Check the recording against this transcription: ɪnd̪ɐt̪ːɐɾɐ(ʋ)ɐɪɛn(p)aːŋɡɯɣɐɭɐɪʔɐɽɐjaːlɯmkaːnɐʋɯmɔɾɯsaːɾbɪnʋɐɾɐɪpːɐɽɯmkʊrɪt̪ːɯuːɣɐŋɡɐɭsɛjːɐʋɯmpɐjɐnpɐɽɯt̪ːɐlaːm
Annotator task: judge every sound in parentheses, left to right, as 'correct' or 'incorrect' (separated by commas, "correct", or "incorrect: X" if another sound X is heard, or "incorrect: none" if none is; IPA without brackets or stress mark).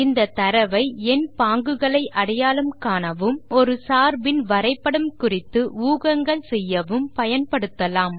correct, correct